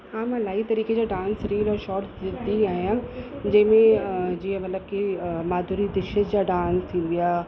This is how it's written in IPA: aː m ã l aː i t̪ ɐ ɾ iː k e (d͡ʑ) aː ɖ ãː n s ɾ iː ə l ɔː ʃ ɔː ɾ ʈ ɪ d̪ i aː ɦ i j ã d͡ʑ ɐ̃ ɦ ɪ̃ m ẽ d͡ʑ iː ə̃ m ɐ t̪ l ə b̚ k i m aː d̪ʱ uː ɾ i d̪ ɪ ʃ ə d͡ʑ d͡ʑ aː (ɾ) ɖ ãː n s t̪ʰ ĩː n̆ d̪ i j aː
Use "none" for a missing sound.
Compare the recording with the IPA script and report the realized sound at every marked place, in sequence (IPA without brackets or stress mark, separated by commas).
d͡ʑ, none